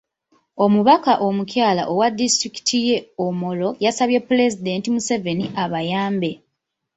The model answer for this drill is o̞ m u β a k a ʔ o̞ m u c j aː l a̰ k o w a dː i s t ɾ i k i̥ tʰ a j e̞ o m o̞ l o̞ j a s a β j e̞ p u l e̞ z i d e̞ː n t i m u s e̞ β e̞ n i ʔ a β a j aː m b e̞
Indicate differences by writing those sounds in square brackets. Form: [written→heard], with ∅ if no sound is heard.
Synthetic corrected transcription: o̞ m u β a k a ʔ o̞ m u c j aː l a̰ [k→ʔ] o w a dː i s t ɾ i k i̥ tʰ [a→i] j e̞ o m o̞ l o̞ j a s a β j e̞ p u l e̞ z i d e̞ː n t i m u s e̞ [β→v] e̞ n i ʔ a β a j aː m b e̞

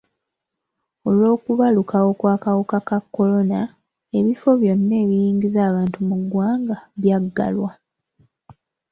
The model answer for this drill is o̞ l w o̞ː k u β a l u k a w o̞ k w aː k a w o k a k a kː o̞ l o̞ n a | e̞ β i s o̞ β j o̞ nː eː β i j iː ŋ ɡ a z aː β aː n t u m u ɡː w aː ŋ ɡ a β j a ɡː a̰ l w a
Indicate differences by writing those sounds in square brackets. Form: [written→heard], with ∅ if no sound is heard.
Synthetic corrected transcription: o̞ l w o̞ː k u β a l u k a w o̞ k w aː k a w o k a k a kː o̞ l o̞ n a | e̞ β i [s→f] o̞ β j o̞ nː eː β i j iː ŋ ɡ [a→i] z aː β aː n t u m u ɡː w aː ŋ ɡ a β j a ɡː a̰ l w a

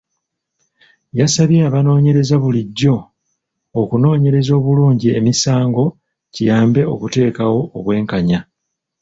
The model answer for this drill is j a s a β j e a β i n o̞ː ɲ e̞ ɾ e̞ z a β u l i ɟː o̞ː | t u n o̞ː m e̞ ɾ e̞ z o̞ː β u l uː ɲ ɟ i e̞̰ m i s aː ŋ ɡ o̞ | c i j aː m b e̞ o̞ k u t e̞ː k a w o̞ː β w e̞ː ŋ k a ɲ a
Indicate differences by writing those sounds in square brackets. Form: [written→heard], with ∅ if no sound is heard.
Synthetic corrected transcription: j a s a β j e a β [i→a] n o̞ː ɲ e̞ ɾ e̞ z a β u l i ɟː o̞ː | [t→k] u n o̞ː [m→ɲ] e̞ ɾ e̞ z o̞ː β u l uː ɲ ɟ i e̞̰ m i s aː ŋ ɡ o̞ | c i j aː m b e̞ o̞ k u t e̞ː k a w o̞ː β w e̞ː ŋ k a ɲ a

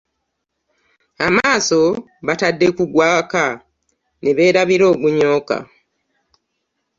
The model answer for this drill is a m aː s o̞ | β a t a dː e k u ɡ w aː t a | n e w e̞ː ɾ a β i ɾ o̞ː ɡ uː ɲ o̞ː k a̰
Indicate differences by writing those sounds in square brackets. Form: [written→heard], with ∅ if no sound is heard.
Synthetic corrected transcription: a m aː s o̞ | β a t a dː e k u ɡ w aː [t→k] a | n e [w→β] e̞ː ɾ a β i ɾ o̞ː ɡ [uː→u] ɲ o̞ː k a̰

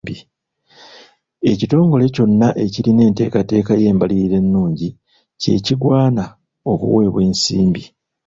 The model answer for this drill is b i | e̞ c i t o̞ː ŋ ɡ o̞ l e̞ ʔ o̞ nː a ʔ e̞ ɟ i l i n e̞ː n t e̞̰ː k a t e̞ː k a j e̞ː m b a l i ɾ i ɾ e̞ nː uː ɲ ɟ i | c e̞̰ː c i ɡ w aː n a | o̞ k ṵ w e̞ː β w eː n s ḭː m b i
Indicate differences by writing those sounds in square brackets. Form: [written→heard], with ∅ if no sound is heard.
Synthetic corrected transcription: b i | e̞ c i t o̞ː ŋ ɡ o̞ l e̞ [ʔ→c] o̞ nː a ʔ e̞ [ɟ→c] i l i n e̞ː n t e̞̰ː k a t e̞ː k a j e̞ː m b a l i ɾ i ɾ e̞ nː uː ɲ ɟ i | c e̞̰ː c i ɡ w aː n a | o̞ k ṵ w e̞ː β w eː n s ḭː m b i

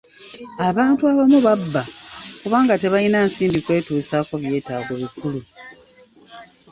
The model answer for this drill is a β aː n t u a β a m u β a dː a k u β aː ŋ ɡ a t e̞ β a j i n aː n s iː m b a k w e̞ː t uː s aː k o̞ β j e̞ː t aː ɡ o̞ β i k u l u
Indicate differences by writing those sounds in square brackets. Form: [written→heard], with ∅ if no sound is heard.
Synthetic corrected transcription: a β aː n t u a β a m u β a [dː→bː] a k u β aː ŋ ɡ a t e̞ β a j i n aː n s iː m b [a→i] k w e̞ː t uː s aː k o̞ β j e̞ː t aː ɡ o̞ β i k u l u

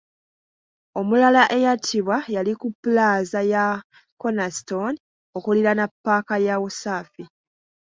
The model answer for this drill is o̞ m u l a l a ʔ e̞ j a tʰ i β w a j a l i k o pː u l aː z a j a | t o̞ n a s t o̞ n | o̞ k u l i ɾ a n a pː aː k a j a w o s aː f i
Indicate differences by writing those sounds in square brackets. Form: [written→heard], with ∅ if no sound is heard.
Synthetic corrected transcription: o̞ m u l a l a ʔ e̞ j a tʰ i β w a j a l i k [o→u] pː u l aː z a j a | [t→k] o̞ n a s t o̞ n | o̞ k u l i ɾ a n a pː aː k a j a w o s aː f i

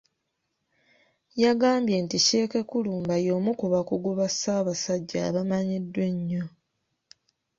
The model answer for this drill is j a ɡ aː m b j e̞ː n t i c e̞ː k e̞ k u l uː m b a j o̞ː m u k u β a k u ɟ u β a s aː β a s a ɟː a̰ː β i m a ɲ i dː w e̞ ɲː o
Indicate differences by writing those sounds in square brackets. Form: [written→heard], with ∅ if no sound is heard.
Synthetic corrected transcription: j a ɡ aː m b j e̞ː n t i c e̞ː k e̞ k u l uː m b a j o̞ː m u k u β a k u [ɟ→ɡ] u β a s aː β a s a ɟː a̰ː β [i→a] m a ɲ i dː w e̞ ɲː o

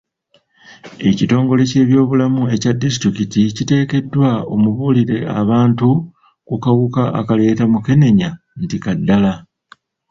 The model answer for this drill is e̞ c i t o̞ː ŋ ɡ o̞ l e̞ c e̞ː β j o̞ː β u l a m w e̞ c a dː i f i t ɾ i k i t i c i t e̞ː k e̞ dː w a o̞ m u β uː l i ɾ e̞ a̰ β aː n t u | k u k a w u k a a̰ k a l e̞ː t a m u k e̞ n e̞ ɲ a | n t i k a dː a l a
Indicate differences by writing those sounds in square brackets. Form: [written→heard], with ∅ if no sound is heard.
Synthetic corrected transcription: e̞ c i t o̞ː ŋ ɡ o̞ l e̞ c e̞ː β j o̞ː β u l a m [w→u] e̞ c a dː i [f→s] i t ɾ i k i t i c i t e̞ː k e̞ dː w a o̞ m u β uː l i ɾ e̞ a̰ β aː n t u | k u k a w u k a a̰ k a l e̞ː t a m u k e̞ n e̞ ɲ a | n t i k a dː a l a

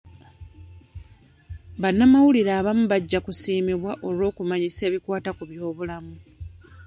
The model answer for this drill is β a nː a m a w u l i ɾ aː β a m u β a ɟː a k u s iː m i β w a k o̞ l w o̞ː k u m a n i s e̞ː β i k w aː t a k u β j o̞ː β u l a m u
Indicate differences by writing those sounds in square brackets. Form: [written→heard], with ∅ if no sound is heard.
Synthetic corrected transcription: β a nː a m a w u l i ɾ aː β a m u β a ɟː a k u s iː m i β w a [k→ʔ] o̞ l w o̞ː k u m a [n→ɲ] i s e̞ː β i k w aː t a k u β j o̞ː β u l a m u

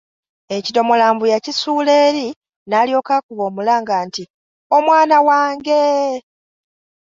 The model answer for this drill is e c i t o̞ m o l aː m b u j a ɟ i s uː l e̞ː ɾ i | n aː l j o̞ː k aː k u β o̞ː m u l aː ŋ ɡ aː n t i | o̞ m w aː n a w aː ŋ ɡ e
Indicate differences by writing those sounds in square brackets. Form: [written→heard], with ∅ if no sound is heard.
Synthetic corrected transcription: e c i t o̞ m o l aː m b u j a [ɟ→c] i s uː l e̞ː ɾ i | n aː l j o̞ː k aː k u β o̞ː m u l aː ŋ ɡ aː n t i | o̞ m w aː n a w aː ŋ ɡ e

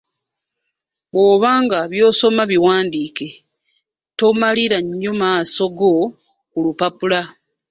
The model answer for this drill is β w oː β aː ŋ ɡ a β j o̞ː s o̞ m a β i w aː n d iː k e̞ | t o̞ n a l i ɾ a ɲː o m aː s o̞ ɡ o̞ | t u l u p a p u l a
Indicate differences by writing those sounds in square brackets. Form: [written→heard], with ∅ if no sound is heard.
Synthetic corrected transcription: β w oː β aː ŋ ɡ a β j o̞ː s o̞ m a β i w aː n d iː k e̞ | t o̞ [n→m] a l i ɾ a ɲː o m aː s o̞ ɡ o̞ | [t→k] u l u p a p u l a

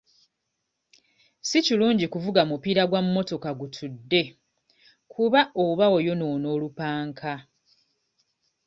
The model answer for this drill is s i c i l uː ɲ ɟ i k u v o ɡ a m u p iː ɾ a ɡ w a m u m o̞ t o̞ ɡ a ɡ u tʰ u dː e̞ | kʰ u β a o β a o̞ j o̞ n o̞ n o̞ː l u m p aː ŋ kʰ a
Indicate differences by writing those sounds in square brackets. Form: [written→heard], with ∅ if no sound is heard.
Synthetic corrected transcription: s i c i l uː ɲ ɟ i k u v [o→u] ɡ a m u p iː ɾ a ɡ w a m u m o̞ t o̞ [ɡ→k] a ɡ u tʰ u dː e̞ | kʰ u β a o β a o̞ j o̞ n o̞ n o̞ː l u [m→∅] p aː ŋ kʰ a

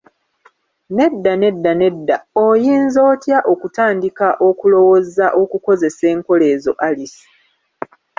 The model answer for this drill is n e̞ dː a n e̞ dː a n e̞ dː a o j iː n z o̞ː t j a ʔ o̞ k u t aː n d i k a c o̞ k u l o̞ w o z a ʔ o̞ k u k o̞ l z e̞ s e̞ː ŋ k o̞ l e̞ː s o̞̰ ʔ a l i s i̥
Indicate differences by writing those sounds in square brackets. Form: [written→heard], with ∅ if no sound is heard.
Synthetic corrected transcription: n e̞ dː a n e̞ dː a n e̞ dː a o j iː n z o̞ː t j a ʔ o̞ k u t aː n d i k a [c→ʔ] o̞ k u l o̞ w o z a ʔ o̞ k u k o̞ [l→∅] z e̞ s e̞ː ŋ k o̞ l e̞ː [s→z] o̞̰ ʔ a l i s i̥

